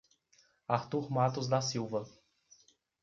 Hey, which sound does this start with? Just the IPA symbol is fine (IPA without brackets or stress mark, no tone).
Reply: a